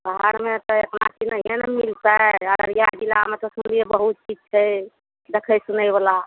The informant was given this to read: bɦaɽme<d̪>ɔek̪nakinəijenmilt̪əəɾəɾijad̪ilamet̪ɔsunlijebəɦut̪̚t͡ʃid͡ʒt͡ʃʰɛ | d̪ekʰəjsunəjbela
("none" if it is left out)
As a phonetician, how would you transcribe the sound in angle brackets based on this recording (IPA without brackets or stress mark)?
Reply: t̪